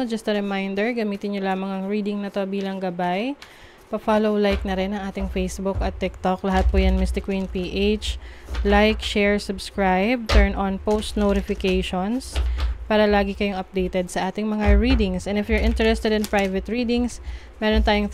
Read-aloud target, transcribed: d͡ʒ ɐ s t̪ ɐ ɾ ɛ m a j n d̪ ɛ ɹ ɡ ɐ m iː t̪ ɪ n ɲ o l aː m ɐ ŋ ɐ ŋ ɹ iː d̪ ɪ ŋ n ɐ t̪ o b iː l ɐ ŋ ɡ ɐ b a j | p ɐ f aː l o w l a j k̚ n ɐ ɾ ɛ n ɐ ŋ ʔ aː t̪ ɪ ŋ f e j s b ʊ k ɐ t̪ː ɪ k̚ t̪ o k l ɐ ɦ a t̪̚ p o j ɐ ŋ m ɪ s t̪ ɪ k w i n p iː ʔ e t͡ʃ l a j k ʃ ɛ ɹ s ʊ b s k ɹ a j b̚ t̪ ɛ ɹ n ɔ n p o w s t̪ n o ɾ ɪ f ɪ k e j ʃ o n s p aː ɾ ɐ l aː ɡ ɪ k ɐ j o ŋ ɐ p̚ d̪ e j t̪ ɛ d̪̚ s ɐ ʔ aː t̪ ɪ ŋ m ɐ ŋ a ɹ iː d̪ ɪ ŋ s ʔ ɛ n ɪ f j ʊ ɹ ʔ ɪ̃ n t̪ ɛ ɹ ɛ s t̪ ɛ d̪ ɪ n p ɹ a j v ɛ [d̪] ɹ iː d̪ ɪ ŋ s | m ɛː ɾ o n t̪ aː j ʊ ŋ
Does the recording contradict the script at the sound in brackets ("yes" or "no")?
yes